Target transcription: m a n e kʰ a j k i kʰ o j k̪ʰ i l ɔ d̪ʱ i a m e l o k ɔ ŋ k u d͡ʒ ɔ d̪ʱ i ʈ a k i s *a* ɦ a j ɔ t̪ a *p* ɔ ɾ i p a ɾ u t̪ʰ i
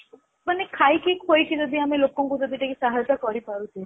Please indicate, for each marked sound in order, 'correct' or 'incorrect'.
correct, incorrect: k

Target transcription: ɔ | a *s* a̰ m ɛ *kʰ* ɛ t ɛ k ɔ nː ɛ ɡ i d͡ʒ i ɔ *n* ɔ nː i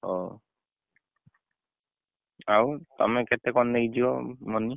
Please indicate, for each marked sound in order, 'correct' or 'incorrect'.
incorrect: t, incorrect: k, incorrect: m

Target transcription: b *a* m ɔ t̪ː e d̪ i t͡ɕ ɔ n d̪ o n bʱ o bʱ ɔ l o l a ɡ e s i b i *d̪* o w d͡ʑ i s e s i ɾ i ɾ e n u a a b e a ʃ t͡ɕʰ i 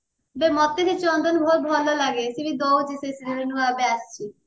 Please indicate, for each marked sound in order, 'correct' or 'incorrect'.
incorrect: e, correct

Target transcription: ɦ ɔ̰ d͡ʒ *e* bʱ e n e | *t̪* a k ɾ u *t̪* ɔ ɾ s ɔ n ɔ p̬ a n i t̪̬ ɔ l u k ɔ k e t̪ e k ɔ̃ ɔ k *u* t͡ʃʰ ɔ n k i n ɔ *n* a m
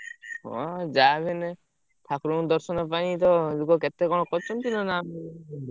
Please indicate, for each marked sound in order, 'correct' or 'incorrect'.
incorrect: a, incorrect: t̪ʰ, incorrect: d̪, incorrect: ɔ, correct

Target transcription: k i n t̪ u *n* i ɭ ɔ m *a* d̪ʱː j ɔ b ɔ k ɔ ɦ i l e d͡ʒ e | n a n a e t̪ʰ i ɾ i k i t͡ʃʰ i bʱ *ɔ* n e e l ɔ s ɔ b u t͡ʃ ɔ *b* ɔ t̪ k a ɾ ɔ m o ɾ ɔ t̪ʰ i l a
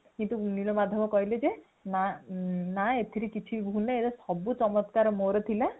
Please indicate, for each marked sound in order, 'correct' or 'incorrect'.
correct, correct, incorrect: u, incorrect: m

